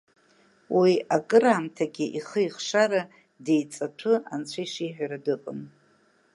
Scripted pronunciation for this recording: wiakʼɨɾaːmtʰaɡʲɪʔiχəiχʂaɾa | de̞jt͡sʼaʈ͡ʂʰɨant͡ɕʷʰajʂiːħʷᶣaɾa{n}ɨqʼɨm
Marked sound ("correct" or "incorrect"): incorrect